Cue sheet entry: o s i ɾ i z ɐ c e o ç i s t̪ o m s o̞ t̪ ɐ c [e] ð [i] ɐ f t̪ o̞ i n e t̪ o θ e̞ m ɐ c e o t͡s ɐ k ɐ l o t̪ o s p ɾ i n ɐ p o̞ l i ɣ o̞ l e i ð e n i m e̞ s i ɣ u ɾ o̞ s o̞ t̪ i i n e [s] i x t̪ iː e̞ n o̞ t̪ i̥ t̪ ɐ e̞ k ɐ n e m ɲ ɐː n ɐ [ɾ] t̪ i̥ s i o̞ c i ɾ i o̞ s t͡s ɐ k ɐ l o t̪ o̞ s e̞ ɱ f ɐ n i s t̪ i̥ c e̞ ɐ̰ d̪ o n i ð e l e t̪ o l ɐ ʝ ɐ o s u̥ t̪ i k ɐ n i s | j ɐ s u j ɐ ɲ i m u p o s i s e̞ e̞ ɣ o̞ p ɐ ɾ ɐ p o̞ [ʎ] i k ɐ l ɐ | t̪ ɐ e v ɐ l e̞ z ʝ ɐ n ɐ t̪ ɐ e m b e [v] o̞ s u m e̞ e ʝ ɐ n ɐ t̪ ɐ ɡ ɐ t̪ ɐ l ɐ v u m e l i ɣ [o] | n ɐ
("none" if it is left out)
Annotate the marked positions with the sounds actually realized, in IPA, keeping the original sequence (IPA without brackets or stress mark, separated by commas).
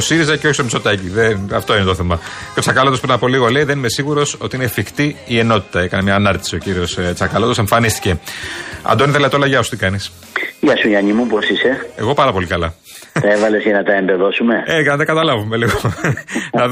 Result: i, e, f, ɾ, l, ð, o